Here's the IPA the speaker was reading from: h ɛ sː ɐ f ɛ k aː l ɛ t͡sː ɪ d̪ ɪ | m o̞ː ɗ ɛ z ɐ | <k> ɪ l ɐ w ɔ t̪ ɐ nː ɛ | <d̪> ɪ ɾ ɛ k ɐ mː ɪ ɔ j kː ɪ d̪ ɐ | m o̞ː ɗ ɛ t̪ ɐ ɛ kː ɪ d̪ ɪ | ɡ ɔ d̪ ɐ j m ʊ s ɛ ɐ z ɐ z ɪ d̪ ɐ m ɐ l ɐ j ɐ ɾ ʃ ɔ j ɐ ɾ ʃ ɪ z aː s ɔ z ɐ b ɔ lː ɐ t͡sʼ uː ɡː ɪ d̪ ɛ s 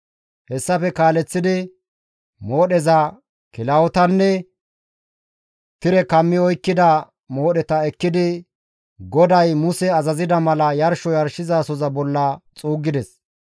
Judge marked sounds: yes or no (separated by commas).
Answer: yes, no